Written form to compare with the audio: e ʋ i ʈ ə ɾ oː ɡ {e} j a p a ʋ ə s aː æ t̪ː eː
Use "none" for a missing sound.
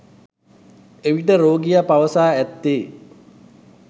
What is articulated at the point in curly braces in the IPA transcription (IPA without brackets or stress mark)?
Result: i